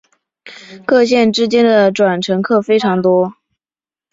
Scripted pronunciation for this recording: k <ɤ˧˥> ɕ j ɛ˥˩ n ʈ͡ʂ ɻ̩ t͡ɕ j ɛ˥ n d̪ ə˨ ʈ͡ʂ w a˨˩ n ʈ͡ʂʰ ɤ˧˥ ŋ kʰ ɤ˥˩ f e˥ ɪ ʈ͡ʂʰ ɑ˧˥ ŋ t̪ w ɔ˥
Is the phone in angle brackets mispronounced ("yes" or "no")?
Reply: yes